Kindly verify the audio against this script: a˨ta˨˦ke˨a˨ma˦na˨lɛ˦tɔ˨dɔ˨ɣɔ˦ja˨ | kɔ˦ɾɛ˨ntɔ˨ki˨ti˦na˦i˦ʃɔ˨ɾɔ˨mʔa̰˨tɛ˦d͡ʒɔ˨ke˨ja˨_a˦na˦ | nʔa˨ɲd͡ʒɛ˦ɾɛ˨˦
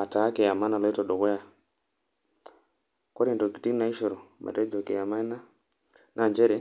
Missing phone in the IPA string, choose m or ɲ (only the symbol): m